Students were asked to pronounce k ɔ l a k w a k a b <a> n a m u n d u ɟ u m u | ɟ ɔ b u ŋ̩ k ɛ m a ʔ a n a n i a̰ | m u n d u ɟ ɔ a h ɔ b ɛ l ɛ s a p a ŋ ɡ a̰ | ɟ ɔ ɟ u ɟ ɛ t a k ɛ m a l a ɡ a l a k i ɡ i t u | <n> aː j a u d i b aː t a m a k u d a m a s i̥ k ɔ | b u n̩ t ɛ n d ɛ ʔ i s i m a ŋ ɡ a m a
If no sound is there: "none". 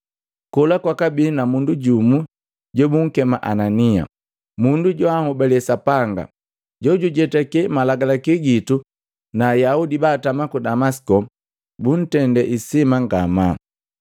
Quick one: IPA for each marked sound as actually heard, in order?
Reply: i, n

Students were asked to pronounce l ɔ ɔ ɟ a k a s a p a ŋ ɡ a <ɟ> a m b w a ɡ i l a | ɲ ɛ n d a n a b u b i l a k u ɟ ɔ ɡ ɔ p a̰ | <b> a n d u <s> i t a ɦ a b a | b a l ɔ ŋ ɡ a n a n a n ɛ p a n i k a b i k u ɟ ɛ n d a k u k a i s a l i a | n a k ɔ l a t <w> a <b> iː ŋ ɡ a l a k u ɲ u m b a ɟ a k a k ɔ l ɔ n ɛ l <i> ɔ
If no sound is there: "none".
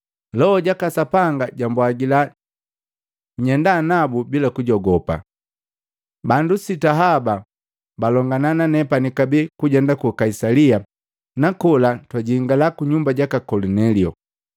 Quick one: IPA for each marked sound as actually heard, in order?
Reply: ɟ, b, s, w, ɟ, i

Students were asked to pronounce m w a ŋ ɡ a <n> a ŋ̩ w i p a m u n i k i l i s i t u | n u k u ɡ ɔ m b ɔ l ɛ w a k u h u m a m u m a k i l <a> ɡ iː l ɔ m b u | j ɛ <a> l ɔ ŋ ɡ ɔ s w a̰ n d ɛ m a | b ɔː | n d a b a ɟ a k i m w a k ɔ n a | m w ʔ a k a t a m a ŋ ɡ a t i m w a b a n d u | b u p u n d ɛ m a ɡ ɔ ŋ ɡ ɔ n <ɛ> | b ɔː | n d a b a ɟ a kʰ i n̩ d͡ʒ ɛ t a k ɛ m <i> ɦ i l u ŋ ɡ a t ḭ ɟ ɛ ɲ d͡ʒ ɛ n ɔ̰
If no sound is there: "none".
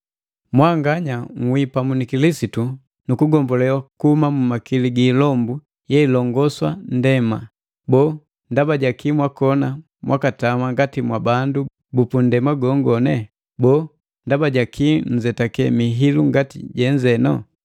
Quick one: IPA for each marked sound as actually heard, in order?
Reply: ɲ, i, i, ɛ, i

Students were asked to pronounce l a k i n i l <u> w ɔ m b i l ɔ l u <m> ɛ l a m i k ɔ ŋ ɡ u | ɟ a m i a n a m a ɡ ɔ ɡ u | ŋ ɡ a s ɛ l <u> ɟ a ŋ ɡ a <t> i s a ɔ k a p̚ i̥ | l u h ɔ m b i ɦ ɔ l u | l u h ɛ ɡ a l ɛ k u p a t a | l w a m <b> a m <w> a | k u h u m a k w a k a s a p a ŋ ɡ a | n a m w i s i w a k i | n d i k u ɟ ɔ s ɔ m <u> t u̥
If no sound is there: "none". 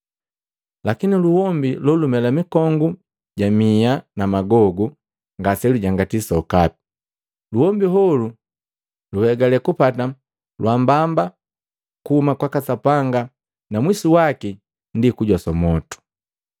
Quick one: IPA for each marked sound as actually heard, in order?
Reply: u, m, u, t, b, b, ɔ

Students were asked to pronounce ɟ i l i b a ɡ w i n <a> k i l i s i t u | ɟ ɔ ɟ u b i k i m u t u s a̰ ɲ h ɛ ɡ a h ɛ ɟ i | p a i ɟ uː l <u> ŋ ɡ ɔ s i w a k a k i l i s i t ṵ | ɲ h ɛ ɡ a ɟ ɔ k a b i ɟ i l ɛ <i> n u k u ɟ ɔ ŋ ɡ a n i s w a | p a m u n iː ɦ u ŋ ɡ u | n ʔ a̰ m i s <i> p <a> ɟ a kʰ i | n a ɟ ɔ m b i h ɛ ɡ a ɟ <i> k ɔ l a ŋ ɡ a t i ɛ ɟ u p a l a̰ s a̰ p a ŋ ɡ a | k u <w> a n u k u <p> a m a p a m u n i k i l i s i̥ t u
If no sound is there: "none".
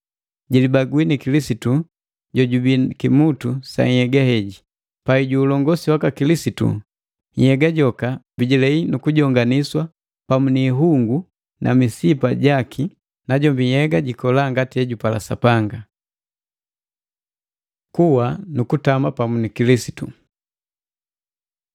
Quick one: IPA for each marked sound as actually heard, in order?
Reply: i, ɔ, i, i, a, i, w, t

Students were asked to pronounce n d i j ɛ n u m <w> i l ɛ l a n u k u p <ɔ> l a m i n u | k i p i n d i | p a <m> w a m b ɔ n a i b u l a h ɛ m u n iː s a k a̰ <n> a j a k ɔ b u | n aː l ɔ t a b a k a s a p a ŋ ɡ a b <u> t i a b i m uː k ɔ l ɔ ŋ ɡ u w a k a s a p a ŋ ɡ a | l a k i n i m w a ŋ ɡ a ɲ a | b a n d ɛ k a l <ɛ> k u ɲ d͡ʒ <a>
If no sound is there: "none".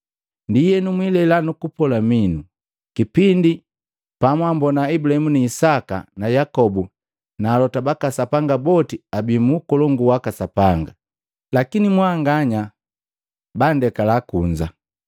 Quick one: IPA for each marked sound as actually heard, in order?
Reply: w, ɔ, m, n, ɔ, a, a

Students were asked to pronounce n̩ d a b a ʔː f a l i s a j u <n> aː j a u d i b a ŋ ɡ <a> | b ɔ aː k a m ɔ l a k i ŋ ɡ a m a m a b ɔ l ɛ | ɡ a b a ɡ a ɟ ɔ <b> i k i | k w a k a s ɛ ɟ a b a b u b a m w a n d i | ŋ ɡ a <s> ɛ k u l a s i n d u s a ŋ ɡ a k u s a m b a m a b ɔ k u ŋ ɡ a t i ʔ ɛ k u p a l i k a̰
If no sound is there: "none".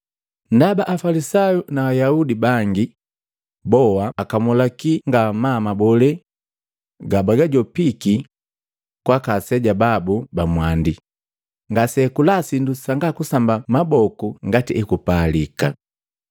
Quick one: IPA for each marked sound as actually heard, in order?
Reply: n, i, p, s

